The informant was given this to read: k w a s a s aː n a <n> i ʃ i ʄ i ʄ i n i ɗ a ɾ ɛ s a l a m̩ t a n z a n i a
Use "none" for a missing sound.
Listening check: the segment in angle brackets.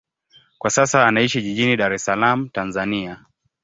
none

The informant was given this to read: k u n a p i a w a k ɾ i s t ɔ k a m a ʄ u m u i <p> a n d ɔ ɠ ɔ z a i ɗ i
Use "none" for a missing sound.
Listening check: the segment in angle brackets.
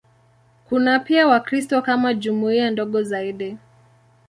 none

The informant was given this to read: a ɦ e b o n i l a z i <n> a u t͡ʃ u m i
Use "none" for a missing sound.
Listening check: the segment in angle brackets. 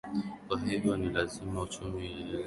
m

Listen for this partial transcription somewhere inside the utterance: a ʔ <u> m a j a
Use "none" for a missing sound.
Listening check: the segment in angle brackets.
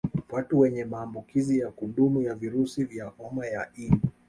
ɔ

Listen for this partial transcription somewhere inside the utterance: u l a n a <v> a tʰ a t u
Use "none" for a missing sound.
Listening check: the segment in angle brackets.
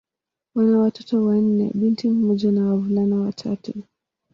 w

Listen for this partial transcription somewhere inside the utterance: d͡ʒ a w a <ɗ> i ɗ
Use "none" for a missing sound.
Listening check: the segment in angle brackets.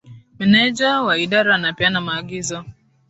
none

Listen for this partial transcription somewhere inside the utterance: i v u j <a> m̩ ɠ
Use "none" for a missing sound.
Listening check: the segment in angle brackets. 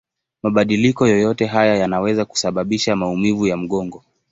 a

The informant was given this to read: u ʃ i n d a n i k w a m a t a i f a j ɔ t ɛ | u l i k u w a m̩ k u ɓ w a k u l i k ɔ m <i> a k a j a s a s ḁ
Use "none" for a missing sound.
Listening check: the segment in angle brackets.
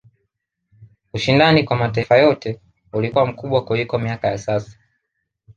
i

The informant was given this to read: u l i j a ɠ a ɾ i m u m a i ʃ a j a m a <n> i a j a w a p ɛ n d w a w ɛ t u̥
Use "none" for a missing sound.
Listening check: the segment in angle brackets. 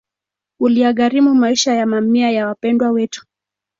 m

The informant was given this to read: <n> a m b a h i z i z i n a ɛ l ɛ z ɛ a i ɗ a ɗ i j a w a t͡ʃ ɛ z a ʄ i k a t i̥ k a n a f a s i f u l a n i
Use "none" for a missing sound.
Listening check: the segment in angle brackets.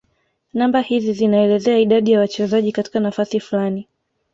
n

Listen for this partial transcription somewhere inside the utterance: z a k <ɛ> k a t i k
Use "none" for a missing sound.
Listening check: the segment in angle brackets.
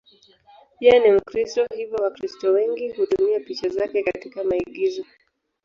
ɛ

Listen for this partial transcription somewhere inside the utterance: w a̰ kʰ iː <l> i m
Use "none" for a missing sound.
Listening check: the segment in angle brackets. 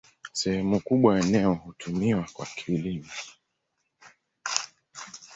l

